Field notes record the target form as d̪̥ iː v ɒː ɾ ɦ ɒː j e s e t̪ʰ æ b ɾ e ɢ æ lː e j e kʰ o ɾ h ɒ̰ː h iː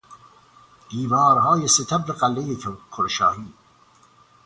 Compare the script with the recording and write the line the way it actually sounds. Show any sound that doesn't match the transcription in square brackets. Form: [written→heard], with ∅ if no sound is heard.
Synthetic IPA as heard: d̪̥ iː v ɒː ɾ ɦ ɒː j e s e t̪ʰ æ b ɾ e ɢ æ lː e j e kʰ o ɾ [h→ʃ] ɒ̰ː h iː

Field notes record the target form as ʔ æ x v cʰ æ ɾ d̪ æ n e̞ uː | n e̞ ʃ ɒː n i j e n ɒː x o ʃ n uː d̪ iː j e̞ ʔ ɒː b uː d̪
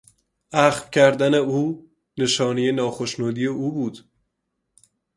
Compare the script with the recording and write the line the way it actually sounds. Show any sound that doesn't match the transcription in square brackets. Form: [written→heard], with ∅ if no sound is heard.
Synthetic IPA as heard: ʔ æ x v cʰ æ ɾ d̪ æ n e̞ uː | n e̞ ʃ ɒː n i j e n ɒː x o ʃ n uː d̪ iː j e̞ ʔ [ɒː→uː] b uː d̪

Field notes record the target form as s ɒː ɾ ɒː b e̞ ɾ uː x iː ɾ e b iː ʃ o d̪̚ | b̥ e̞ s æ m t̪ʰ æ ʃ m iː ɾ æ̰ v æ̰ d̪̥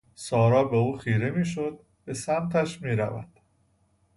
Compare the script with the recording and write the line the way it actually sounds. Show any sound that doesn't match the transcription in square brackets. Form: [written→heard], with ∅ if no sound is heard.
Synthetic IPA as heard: s ɒː ɾ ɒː b e̞ [ɾ→∅] uː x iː ɾ e [b→m] iː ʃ o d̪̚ | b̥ e̞ s æ m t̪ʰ æ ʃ m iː ɾ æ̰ v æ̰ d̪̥

